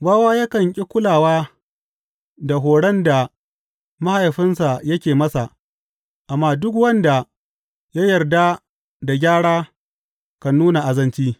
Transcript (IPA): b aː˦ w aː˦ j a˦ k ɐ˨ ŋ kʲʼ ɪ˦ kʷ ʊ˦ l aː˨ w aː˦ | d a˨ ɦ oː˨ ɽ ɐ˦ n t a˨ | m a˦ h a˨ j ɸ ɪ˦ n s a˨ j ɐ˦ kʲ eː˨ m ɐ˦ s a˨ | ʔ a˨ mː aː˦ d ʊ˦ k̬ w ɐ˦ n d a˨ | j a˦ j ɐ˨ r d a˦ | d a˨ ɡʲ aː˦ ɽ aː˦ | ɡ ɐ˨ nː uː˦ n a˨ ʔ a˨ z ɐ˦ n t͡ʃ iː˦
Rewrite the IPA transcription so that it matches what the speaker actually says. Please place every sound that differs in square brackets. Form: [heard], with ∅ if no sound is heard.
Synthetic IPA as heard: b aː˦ w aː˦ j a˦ k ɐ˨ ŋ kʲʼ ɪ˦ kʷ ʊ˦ l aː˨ w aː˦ | d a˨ ɦ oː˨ ɽ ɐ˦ n [d] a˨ | m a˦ h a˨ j ɸ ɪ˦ n s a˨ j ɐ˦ kʲ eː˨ m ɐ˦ s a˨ | ʔ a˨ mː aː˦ d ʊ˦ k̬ w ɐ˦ n d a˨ | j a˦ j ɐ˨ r d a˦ | d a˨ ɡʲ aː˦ ɽ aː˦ | [k] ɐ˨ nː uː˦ n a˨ ʔ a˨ z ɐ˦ n t͡ʃ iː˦